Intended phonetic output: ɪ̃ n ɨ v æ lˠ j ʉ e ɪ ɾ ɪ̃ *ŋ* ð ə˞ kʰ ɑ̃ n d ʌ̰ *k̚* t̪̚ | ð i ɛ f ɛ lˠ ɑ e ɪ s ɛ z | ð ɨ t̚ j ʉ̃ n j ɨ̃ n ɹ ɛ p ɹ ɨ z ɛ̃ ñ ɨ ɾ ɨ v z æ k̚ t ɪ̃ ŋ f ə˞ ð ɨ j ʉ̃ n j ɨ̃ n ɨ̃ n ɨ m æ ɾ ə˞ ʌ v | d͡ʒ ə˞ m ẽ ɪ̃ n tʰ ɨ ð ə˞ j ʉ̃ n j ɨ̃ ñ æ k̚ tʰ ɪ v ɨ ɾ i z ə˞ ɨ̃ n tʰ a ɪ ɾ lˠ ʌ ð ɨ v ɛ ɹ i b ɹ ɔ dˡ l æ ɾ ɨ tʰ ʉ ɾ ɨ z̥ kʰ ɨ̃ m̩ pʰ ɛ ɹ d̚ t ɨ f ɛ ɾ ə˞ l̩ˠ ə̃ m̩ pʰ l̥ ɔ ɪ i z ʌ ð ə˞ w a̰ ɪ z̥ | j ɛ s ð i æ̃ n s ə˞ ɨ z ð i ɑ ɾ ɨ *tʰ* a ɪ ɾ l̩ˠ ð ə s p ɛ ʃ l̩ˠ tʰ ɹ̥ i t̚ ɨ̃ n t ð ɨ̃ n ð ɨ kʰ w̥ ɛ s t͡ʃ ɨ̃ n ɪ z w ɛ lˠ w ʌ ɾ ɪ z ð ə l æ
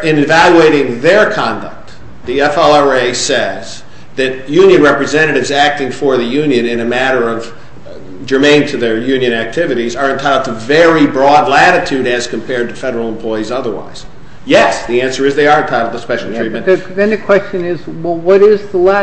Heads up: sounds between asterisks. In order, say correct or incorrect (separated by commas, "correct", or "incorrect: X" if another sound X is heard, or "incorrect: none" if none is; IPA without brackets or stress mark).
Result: correct, correct, correct